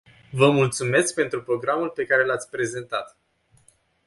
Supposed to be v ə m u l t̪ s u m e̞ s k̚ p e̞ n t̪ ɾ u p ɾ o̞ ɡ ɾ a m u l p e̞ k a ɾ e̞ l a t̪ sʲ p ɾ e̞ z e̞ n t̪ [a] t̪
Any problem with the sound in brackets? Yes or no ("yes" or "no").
no